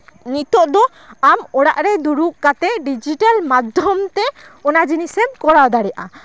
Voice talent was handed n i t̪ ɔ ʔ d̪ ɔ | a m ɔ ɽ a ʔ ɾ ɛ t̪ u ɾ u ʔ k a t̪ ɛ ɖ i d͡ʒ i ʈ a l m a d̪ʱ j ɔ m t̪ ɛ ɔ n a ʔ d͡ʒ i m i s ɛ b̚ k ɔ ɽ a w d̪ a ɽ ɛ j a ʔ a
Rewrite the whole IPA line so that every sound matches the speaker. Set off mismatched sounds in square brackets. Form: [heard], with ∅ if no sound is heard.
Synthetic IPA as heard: n i t̪ ɔ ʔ d̪ ɔ | a m ɔ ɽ a ʔ ɾ ɛ [d̪] u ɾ u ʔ k a t̪ ɛ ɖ i d͡ʒ i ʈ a l m a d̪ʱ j ɔ m t̪ ɛ ɔ n a [∅] d͡ʒ i [n] i s ɛ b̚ k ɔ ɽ a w d̪ a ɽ ɛ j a ʔ a